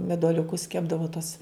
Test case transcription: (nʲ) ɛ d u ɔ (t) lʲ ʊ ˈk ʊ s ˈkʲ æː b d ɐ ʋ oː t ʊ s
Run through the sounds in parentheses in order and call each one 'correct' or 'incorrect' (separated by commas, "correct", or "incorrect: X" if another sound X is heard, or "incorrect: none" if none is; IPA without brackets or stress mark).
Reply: incorrect: mʲ, incorrect: none